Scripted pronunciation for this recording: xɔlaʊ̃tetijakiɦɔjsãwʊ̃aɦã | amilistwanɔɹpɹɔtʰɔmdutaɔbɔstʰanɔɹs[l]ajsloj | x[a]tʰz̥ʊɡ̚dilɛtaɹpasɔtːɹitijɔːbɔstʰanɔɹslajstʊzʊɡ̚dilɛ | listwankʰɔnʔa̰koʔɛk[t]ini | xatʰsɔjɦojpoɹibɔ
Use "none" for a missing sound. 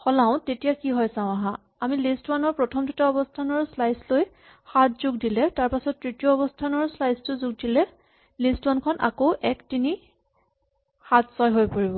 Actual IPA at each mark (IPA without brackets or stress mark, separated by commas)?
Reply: l, a, t